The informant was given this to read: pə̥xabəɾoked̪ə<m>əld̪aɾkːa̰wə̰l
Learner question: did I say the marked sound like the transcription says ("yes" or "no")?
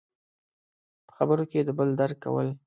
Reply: no